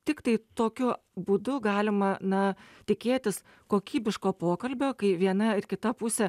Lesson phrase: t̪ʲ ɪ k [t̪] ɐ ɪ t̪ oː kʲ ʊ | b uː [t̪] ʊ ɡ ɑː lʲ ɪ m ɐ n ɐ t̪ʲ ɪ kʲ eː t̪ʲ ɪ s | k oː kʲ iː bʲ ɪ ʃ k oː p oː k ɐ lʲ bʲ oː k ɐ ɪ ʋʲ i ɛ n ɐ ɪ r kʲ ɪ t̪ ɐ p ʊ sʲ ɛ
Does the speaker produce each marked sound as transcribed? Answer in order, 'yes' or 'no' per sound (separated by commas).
yes, no